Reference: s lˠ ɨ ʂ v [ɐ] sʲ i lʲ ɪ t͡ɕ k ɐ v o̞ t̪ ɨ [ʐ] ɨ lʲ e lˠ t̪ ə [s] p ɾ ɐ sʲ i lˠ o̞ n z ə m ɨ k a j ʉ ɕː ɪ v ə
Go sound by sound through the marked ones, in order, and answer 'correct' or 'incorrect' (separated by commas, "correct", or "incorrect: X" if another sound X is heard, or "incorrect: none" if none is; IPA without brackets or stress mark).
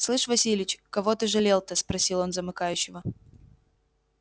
correct, correct, correct